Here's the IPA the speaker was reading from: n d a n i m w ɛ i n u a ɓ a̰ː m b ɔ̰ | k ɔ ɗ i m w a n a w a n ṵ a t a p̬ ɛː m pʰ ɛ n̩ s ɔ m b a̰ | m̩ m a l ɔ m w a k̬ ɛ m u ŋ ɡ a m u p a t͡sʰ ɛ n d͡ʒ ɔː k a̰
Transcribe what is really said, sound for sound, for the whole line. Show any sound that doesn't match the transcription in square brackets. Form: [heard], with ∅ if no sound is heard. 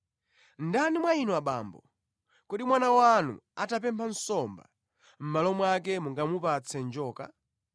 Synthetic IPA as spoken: n d a n i m w [a] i n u a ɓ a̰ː m b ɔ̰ | k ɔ ɗ i m w a n a w a n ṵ a t a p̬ [ɛ] m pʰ [a] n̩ s ɔ m b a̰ | m̩ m a l ɔ m w a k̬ ɛ m u ŋ ɡ a m u p a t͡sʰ ɛ n d͡ʒ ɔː k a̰